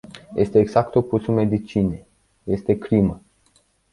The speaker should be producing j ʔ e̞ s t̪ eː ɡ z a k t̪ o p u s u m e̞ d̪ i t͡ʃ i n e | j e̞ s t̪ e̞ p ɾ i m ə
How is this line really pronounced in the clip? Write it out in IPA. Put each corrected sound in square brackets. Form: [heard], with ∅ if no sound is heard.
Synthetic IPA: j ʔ e̞ s t̪ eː ɡ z a k t̪ o p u s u m e̞ d̪ i t͡ʃ i n e | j e̞ s t̪ e̞ [k] ɾ i m ə

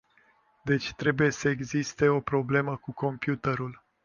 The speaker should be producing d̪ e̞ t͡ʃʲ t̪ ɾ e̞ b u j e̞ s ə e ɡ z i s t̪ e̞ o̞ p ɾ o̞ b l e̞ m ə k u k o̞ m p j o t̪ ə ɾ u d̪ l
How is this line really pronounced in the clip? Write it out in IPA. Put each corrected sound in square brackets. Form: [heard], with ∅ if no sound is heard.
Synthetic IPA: d̪ e̞ t͡ʃʲ t̪ ɾ e̞ b u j e̞ s ə e ɡ z i s t̪ e̞ o̞ p ɾ o̞ b l e̞ m ə k u k o̞ m p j [u] t̪ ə ɾ u [∅] l

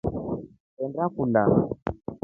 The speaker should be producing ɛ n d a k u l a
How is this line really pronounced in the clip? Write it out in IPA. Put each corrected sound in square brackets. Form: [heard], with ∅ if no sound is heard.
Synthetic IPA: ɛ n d a k u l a

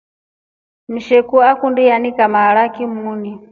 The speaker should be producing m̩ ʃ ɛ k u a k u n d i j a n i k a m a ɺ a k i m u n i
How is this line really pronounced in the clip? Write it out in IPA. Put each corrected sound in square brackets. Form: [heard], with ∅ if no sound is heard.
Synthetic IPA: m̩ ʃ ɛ k u a k u n d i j a n i k a m a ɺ a k i m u n i

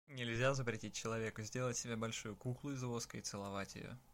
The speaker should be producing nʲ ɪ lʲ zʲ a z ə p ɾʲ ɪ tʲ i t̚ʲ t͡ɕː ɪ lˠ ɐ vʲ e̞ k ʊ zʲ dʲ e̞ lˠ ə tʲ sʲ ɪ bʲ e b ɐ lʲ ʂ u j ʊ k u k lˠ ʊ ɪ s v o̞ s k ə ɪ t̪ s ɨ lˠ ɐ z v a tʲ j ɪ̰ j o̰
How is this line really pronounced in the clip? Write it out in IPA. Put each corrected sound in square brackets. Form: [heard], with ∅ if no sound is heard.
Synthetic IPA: nʲ ɪ lʲ zʲ a z ə p ɾʲ ɪ tʲ i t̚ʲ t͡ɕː ɪ lˠ ɐ vʲ e̞ k ʊ zʲ dʲ e̞ lˠ ə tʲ sʲ ɪ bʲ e b ɐ lʲ ʂ u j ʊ k u k lˠ ʊ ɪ [z] v o̞ s k ə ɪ t̪ s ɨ lˠ ɐ [∅] v a tʲ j ɪ̰ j o̰

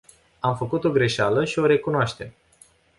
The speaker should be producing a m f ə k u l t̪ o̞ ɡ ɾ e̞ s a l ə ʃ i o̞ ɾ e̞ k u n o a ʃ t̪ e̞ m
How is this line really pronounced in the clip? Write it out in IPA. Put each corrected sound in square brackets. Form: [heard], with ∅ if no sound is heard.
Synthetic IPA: a m f ə k u [∅] t̪ o̞ ɡ ɾ e̞ [ʃ] a l ə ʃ i o̞ ɾ e̞ k u n o a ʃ t̪ e̞ m

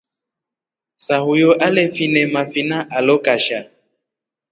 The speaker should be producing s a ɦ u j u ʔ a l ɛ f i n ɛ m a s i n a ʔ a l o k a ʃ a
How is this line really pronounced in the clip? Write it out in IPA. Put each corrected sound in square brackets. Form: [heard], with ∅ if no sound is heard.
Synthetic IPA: s a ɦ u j [o] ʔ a l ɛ f i n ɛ m a [f] i n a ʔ a l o k a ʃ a

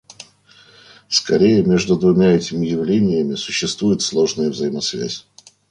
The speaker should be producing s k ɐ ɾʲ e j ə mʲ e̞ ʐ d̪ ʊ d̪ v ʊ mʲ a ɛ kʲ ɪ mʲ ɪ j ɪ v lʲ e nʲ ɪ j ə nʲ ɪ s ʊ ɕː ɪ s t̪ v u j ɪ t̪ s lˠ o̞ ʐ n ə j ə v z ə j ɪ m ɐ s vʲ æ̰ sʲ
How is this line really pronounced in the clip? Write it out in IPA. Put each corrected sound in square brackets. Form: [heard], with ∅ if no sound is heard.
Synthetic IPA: s k ɐ ɾʲ e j ə mʲ e̞ ʐ d̪ ʊ d̪ v ʊ mʲ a ɛ [tʲ] ɪ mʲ ɪ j ɪ v lʲ e nʲ ɪ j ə [mʲ] ɪ s ʊ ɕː ɪ s t̪ v u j ɪ t̪ s lˠ o̞ ʐ n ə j ə v z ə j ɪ m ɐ s vʲ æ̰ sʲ

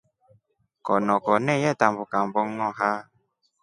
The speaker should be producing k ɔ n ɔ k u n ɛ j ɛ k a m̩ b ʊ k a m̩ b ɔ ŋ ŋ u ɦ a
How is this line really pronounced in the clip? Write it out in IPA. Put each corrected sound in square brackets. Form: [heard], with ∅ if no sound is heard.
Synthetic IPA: k ɔ n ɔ k [ɔ] n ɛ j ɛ [t] a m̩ b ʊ k a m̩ b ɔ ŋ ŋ [ɔ] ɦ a

